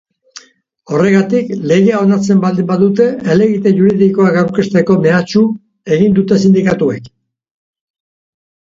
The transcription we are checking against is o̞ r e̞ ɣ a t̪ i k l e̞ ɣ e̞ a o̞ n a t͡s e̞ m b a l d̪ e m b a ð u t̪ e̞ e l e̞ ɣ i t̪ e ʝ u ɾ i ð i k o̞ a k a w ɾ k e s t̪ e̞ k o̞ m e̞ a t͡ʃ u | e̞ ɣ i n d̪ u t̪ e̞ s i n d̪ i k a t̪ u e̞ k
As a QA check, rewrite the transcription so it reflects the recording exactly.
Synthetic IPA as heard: o̞ r e̞ ɣ a t̪ i k l e̞ ɣ e̞ a o̞ n a t͡s e̞ m b a l d̪ i m b a ð u t̪ e̞ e l e̞ ɣ i t̪ e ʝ u ɾ i ð i k o̞ a k a w ɾ k e s t̪ e̞ k o̞ m e̞ a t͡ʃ u | e̞ ɣ i n d̪ u t̪ e̞ s i n d̪ i k a t̪ u e̞ k